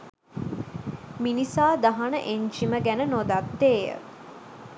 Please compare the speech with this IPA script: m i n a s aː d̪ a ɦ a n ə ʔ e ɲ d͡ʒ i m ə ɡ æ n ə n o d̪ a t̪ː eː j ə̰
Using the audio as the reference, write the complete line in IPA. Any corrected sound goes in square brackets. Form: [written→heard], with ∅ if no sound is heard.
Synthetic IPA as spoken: m i n [a→i] s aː d̪ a ɦ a n ə ʔ e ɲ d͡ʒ i m ə ɡ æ n ə n o d̪ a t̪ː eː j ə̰